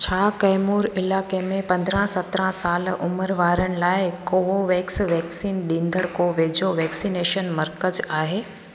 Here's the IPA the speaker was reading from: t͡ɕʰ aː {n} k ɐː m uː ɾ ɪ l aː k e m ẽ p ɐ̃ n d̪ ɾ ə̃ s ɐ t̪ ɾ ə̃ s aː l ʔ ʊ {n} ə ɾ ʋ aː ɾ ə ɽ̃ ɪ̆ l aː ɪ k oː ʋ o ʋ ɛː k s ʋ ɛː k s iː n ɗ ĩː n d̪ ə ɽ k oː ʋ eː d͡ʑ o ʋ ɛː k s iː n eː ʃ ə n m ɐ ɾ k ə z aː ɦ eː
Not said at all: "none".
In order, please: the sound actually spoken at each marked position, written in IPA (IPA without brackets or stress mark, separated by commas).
none, m